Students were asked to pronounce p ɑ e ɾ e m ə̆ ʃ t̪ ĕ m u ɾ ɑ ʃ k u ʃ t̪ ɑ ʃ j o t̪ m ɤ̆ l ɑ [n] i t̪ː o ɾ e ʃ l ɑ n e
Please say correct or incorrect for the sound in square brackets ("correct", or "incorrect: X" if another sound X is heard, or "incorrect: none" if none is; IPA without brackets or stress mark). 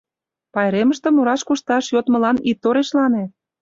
correct